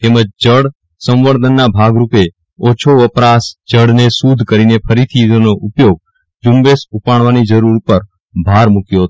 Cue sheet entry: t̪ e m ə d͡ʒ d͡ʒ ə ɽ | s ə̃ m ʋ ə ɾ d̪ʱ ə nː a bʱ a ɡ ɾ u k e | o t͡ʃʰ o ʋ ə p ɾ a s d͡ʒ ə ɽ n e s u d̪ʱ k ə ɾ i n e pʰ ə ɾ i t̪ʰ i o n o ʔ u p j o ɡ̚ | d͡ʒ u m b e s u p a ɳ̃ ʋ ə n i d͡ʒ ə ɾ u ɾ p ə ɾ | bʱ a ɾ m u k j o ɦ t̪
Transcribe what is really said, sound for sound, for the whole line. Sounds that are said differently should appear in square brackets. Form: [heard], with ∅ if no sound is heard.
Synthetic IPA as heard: t̪ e m ə d͡ʒ d͡ʒ ə ɽ | s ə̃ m ʋ ə ɾ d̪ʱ ə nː a bʱ a ɡ ɾ u [p] e | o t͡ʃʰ o ʋ ə p ɾ a s d͡ʒ ə ɽ n e s u d̪ʱ k ə ɾ i n e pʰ ə ɾ i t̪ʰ i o n o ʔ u p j o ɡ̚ | d͡ʒ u m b e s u p a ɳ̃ ʋ [a] n i d͡ʒ ə ɾ u ɾ p ə ɾ | bʱ a ɾ m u k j o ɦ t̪